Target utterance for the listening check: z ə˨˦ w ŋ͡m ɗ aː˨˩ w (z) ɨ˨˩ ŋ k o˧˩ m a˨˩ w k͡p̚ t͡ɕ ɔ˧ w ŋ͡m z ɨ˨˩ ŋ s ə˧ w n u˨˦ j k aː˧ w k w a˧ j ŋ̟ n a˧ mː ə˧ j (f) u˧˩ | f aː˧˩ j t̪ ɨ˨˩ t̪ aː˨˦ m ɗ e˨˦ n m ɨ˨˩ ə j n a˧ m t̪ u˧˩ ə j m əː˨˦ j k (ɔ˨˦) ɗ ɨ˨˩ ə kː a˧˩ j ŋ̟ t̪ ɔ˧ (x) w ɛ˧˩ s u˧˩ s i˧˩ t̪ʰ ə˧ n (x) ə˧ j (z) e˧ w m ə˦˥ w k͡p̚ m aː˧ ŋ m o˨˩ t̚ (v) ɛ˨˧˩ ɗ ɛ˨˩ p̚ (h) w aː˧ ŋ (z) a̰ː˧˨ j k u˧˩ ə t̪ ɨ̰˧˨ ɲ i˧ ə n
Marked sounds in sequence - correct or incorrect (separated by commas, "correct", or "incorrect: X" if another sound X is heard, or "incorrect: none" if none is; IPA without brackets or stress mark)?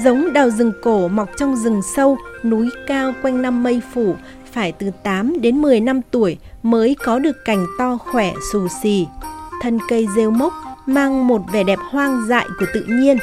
correct, correct, correct, correct, incorrect: k, correct, correct, correct, correct